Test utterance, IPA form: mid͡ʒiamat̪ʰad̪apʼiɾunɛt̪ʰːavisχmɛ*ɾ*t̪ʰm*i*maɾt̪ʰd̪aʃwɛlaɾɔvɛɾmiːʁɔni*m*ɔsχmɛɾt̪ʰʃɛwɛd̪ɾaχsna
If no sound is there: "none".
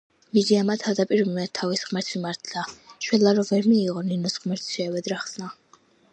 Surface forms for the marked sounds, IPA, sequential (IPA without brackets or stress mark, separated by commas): ɾ, i, n